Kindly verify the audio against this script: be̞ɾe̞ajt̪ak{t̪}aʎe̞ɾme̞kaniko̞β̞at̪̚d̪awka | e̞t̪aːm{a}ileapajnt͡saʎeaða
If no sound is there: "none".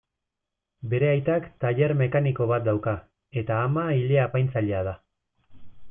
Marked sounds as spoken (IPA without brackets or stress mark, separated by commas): t̪, a